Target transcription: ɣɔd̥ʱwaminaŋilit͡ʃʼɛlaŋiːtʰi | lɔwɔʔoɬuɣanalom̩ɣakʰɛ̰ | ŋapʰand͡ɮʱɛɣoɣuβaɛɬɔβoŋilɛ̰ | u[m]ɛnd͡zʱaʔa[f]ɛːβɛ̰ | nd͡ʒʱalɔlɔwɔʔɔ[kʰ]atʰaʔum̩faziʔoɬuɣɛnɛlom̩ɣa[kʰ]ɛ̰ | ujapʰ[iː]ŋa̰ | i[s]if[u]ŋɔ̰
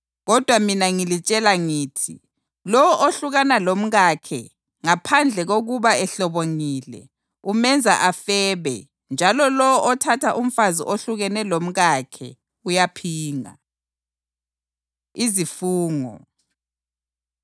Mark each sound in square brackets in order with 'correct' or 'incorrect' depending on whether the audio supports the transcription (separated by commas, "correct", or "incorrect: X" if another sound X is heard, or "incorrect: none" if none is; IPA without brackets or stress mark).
correct, correct, incorrect: tʰ, correct, correct, incorrect: z, incorrect: uː